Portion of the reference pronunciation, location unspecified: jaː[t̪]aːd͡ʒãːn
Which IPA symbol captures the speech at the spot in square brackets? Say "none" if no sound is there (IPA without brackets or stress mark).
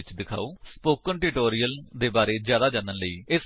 d̪